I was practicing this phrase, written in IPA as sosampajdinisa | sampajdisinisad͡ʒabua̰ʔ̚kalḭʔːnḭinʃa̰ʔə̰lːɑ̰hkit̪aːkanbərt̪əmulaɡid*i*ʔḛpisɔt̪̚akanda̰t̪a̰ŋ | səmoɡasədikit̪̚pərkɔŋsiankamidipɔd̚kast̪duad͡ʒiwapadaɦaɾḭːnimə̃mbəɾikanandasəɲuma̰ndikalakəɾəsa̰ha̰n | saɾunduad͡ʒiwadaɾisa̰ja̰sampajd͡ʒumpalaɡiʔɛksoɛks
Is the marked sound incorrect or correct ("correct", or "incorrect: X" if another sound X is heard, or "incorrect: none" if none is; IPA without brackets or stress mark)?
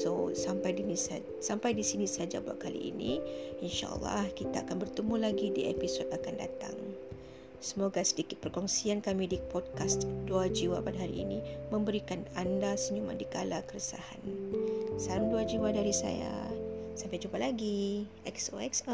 correct